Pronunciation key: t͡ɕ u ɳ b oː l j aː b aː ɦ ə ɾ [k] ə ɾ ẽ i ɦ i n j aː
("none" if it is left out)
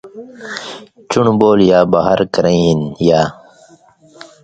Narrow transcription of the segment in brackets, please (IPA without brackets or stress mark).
k